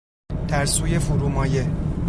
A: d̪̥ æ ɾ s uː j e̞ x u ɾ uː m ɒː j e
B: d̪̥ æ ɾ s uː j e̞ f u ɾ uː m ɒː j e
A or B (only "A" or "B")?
B